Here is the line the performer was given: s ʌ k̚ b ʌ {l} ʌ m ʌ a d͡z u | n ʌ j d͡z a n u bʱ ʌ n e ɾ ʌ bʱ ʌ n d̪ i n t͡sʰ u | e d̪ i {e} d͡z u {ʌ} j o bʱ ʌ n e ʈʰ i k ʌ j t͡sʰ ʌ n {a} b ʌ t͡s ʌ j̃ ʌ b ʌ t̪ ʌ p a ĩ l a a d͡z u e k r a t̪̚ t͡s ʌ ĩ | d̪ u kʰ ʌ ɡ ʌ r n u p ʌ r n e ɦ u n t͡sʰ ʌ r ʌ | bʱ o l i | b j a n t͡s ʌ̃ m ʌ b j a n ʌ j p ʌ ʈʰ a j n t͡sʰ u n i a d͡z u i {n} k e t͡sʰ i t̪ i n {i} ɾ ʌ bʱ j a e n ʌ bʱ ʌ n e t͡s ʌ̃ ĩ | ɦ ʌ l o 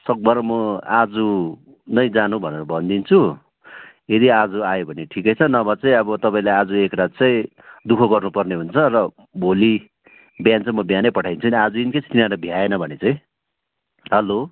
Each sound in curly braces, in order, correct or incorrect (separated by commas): incorrect, incorrect, incorrect, incorrect, correct, incorrect